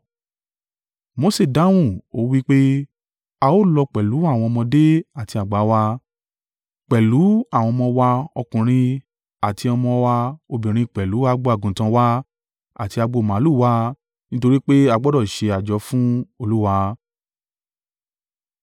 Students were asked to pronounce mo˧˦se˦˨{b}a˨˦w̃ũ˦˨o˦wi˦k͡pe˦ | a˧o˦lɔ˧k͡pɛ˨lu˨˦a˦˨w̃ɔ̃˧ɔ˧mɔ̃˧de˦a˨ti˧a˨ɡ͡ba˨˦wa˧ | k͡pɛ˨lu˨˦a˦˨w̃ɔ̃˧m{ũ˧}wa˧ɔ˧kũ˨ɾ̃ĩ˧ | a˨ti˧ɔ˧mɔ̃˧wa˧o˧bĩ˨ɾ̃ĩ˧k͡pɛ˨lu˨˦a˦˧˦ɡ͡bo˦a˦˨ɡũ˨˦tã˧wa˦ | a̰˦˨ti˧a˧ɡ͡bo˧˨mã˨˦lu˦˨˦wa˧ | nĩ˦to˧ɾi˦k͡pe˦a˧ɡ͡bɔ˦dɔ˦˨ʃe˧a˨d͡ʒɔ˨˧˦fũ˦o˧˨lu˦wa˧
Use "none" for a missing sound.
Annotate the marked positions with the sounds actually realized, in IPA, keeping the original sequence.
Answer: d, ɔ̃˧

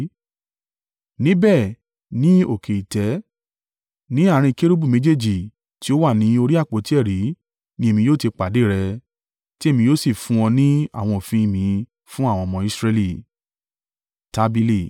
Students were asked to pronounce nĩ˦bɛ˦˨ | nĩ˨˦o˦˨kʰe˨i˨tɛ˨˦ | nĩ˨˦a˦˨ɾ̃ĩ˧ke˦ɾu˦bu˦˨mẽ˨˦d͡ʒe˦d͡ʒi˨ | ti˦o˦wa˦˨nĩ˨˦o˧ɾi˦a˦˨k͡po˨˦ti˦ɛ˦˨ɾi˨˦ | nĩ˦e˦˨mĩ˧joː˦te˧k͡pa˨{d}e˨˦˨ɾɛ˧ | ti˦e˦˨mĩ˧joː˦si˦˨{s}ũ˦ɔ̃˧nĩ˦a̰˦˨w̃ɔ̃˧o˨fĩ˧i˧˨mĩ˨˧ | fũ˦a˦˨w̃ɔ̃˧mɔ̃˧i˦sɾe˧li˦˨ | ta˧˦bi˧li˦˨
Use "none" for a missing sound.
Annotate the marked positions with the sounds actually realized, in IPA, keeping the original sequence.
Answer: d, f

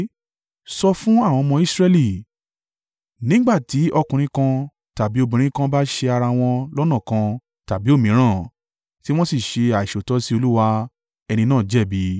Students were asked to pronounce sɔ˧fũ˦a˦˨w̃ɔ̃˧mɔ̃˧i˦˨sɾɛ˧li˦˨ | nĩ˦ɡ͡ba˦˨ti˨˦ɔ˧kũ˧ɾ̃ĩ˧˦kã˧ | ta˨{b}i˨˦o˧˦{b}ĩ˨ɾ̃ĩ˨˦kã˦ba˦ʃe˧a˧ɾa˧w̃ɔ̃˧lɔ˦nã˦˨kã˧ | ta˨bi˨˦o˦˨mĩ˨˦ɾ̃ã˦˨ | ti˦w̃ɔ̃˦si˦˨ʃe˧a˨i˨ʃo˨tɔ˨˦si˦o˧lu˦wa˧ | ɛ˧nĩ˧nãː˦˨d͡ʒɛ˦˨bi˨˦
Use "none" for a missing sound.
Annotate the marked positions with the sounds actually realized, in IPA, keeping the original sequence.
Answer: b, b

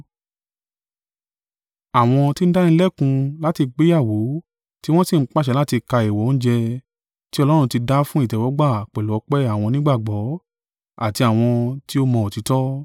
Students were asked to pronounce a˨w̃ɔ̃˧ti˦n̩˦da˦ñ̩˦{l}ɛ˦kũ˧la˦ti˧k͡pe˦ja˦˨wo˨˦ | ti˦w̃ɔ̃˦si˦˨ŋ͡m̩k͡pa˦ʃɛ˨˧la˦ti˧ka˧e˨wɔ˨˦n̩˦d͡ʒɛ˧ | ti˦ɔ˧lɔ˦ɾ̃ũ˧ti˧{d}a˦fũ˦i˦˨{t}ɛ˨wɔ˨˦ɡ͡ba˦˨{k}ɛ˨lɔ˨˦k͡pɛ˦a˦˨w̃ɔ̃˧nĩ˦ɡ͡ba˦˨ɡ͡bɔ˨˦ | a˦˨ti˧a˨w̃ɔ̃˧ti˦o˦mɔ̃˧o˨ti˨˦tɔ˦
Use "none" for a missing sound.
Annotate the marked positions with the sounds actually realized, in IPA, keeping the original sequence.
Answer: l, d, t, k͡p

